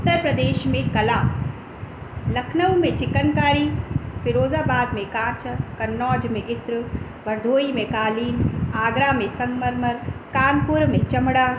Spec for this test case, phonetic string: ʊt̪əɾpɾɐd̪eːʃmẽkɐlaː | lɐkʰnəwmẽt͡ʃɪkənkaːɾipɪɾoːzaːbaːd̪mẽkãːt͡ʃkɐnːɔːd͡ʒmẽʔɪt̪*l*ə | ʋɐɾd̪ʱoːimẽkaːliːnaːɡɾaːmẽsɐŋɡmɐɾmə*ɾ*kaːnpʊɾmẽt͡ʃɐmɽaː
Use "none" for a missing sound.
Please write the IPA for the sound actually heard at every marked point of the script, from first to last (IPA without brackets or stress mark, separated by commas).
ɾ, ɾ